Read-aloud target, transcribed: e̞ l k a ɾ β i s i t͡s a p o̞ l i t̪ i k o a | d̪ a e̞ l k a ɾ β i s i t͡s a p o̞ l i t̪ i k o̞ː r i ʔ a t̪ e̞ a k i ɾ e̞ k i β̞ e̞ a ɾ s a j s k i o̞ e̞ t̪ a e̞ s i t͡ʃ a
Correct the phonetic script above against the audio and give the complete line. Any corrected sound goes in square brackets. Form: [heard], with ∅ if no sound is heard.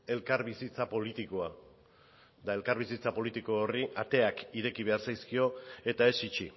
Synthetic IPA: e̞ l k a ɾ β i s i t͡s a p o̞ l i t̪ i k o a | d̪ a e̞ l k a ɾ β i s i t͡s a p o̞ l i t̪ i k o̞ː r i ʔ a t̪ e̞ a k i ɾ e̞ k i β̞ e̞ a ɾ s a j s k i o̞ e̞ t̪ a e̞ s i t͡ʃ [i]